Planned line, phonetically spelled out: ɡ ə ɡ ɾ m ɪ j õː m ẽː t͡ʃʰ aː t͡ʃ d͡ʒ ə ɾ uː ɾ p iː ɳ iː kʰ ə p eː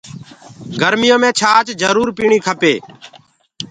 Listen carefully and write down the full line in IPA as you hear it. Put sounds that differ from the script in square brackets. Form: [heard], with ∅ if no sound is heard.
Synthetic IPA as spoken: ɡ ə [∅] ɾ m ɪ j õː m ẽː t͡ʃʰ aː t͡ʃ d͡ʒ ə ɾ uː ɾ p iː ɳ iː kʰ ə p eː

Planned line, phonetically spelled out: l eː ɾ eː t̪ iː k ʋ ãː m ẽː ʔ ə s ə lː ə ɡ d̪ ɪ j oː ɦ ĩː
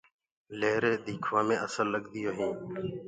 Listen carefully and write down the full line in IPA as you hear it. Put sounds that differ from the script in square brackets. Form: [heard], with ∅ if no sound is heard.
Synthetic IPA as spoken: l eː ɾ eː [d̪] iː [kʰ] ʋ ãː m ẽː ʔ ə s ə lː ə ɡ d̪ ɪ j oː ɦ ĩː

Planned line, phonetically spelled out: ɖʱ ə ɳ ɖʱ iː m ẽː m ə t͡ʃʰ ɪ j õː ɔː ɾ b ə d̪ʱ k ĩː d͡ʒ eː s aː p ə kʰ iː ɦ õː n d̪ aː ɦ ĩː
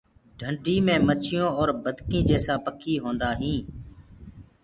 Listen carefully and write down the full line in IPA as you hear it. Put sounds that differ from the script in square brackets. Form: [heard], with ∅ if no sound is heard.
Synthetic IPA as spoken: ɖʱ ə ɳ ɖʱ iː m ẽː m ə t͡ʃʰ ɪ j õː ɔː ɾ b ə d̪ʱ k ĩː d͡ʒ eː s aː p ə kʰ iː ɦ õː n d̪ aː ɦ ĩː

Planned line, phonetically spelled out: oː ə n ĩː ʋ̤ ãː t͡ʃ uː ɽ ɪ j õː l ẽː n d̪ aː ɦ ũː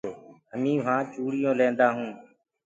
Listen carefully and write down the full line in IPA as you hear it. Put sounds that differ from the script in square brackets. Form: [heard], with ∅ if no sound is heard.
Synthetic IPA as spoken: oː ə [m] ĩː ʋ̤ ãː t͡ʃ uː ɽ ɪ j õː l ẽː n d̪ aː ɦ ũː

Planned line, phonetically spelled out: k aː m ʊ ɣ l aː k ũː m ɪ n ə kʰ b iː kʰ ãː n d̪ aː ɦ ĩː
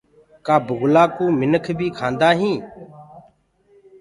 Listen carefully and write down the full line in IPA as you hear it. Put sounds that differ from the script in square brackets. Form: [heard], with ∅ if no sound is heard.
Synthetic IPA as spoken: k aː [b] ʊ ɣ l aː k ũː m ɪ n ə kʰ b iː kʰ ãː n d̪ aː ɦ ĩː

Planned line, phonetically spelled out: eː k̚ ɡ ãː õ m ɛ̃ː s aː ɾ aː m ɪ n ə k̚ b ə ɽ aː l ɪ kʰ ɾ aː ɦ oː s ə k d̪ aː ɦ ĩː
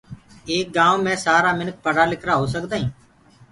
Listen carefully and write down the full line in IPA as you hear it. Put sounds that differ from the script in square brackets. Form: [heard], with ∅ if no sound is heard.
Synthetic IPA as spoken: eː k̚ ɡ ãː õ m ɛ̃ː s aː ɾ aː m ɪ n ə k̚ [p] ə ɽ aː l ɪ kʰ ɾ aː ɦ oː s ə k d̪ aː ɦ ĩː

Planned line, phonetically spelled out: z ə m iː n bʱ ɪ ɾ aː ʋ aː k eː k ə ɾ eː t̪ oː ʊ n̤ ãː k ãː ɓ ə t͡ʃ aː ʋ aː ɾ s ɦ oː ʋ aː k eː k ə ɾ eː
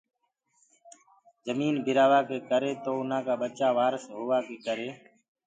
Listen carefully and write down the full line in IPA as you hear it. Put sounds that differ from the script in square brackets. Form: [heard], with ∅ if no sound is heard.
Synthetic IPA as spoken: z ə m iː n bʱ ɪ ɾ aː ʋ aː k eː k ə ɾ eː t̪ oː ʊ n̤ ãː k [aː] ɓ ə t͡ʃ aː ʋ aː ɾ s ɦ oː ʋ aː k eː k ə ɾ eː

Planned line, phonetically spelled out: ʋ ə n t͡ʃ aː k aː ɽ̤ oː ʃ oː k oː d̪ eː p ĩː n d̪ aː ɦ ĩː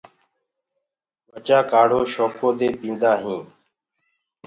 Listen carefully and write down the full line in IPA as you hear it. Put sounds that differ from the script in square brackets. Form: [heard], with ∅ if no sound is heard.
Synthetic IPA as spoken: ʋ ə [∅] t͡ʃ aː k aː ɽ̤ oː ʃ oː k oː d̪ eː p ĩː n d̪ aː ɦ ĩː

